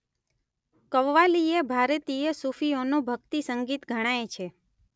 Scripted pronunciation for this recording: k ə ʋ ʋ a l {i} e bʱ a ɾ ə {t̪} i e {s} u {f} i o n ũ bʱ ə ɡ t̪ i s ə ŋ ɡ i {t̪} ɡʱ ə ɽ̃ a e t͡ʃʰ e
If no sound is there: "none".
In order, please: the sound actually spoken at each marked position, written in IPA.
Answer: i, t̪, s, f, t̪

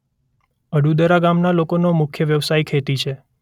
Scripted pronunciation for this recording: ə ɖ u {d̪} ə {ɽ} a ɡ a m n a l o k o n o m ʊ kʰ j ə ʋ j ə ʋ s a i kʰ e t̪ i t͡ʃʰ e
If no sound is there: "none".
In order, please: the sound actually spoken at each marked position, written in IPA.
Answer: d̪, ɾ

